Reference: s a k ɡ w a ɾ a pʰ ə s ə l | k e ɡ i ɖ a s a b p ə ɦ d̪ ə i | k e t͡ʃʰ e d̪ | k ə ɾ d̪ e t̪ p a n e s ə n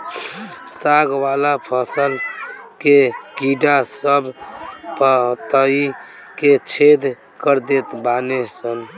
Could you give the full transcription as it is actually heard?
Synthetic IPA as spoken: s a ɡ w a l a pʰ ə s ə l | k e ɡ i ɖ a s ə b p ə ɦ t̪ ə i | k e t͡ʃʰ e d̪ | k ə ɾ d̪ e t̪ b a n e s ə n